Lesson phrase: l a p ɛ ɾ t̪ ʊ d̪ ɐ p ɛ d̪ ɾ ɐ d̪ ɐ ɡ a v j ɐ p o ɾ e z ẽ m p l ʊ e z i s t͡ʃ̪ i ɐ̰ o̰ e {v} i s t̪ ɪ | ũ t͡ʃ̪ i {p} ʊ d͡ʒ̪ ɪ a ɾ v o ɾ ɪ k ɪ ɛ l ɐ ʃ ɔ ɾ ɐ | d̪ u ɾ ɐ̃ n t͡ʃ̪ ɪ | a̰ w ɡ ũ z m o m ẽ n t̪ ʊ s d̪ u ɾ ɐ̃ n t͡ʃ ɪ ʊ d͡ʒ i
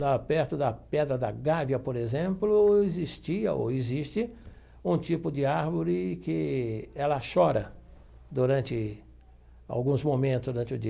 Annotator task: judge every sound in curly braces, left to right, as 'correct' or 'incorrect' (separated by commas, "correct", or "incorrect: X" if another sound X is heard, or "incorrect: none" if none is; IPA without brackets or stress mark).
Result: incorrect: z, correct